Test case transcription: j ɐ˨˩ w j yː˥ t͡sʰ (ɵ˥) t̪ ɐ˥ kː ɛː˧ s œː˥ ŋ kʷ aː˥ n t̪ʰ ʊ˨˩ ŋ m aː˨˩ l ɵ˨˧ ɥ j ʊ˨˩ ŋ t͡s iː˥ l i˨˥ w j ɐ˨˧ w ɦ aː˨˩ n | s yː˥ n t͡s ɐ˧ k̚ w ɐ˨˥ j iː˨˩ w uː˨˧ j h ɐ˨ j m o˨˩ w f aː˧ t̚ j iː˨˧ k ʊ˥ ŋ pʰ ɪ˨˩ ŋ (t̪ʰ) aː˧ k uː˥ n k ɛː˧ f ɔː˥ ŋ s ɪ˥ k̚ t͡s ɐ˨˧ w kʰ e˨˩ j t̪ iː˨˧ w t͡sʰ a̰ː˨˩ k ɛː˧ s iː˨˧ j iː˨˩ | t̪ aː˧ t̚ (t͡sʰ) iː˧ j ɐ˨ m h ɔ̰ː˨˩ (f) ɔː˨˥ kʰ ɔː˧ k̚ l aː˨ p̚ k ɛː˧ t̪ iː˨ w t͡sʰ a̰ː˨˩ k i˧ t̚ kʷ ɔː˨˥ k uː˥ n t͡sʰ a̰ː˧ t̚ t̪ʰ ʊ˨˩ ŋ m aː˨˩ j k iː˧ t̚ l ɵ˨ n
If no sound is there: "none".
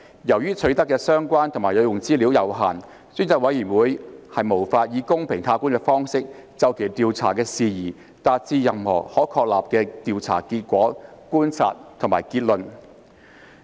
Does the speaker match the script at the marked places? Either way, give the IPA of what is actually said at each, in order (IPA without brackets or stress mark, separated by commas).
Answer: ɵ˨˥, t̪ʰ, t͡s, h